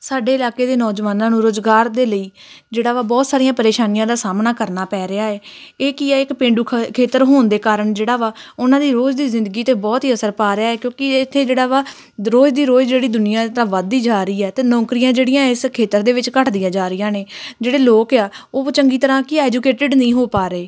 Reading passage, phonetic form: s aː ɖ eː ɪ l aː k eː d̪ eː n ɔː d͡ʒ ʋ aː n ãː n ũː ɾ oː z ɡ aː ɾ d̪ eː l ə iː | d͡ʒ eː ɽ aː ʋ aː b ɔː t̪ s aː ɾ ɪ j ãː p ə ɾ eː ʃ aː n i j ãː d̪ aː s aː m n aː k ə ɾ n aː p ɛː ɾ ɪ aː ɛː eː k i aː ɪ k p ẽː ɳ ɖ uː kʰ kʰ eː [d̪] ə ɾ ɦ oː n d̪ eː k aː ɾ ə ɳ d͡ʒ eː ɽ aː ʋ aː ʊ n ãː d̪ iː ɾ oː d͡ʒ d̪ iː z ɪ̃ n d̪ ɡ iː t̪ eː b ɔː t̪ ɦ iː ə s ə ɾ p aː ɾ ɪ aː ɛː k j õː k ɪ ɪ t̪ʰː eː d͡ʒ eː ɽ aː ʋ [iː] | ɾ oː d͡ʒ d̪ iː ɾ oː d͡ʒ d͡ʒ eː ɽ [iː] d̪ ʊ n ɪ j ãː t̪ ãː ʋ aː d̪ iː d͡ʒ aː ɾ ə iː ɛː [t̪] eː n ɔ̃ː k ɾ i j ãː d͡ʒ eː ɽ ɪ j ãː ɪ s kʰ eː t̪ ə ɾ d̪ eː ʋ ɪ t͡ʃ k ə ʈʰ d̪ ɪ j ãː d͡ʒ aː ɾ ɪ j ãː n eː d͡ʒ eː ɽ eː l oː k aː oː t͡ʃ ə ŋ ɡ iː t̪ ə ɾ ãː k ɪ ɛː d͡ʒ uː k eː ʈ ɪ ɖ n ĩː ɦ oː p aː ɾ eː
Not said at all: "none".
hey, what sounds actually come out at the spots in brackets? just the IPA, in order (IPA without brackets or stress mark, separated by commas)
t̪, aː, iː, t̪